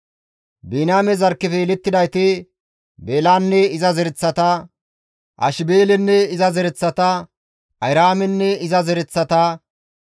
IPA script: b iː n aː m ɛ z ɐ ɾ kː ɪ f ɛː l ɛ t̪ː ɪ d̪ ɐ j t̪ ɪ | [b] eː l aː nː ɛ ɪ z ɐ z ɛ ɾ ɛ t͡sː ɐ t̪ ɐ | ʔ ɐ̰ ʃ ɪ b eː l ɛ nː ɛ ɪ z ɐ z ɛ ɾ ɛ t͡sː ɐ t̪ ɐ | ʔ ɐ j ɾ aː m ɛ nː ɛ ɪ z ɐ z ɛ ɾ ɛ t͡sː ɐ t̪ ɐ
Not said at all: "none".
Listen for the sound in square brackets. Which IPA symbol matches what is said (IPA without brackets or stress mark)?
b